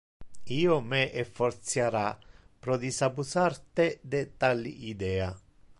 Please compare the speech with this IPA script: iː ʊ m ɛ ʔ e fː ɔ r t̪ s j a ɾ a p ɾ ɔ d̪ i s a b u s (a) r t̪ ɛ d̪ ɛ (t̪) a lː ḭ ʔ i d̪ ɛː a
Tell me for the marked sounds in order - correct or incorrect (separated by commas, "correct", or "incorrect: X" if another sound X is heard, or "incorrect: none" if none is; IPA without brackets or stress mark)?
correct, correct